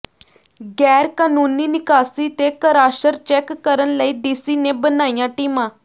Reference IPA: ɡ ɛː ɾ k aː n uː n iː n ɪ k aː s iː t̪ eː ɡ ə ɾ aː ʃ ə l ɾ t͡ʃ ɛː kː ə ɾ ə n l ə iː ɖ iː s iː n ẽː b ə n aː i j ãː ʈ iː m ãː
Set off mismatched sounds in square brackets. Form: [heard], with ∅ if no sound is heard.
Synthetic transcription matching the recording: ɡ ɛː ɾ k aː n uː n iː n ɪ k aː s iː t̪ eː [k] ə ɾ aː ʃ ə [∅] ɾ t͡ʃ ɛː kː ə ɾ ə n l ə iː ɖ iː s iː n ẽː b ə n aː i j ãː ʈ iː m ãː